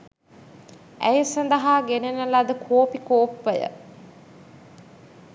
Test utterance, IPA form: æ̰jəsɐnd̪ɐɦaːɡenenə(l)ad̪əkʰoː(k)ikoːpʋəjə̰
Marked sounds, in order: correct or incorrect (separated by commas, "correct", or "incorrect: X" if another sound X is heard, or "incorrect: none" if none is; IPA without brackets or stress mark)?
correct, incorrect: p